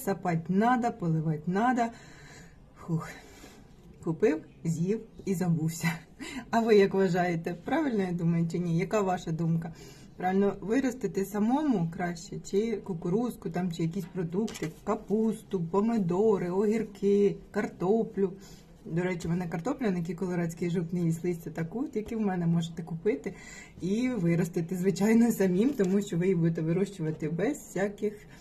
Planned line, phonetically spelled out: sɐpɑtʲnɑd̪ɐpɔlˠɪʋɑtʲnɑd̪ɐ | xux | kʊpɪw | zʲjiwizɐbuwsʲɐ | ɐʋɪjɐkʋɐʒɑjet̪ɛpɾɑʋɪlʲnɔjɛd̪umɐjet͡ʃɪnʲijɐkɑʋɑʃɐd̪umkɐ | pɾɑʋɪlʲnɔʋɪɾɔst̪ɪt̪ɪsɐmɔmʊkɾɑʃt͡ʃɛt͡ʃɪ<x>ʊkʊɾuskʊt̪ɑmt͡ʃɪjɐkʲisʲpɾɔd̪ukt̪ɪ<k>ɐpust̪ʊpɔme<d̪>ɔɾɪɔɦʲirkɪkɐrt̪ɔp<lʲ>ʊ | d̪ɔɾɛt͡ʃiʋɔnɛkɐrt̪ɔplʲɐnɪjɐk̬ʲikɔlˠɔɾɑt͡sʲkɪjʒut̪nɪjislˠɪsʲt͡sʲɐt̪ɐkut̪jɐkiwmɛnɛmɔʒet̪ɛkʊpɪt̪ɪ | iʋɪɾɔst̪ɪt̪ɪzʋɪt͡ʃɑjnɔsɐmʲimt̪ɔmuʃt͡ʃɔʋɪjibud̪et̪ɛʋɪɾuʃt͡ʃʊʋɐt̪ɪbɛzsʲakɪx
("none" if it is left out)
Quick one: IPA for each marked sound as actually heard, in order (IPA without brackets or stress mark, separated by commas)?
k, k, d̪, lʲ